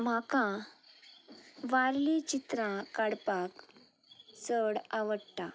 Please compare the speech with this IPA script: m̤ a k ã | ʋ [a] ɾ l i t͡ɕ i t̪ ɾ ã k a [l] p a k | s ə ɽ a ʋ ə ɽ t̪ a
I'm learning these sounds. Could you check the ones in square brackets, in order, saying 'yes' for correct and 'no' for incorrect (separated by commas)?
yes, no